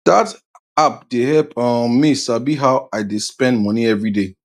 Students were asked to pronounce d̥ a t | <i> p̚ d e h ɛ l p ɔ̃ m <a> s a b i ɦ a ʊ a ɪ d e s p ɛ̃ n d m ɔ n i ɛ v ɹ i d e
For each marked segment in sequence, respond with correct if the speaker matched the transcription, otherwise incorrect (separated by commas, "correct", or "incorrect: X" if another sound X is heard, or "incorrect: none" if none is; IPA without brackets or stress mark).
incorrect: a, incorrect: i